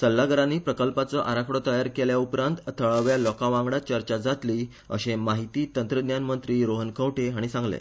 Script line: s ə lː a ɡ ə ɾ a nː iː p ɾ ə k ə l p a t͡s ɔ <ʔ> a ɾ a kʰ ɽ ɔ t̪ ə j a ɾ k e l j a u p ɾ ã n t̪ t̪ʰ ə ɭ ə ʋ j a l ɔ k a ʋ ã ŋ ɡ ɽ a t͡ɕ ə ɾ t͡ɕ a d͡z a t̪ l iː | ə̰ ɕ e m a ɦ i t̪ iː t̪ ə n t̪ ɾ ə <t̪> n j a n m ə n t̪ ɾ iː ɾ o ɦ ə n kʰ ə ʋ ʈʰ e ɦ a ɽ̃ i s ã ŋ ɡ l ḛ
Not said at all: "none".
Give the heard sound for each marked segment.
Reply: ʔ, d̪

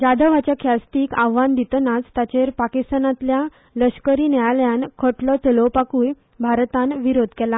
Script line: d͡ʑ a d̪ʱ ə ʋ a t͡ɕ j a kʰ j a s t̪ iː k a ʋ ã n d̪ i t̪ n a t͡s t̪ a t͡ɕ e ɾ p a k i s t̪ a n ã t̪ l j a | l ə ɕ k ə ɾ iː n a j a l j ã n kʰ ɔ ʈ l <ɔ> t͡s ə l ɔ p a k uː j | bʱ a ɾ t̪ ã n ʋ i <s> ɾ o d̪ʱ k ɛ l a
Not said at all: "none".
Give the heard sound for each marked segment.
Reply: ɔ, none

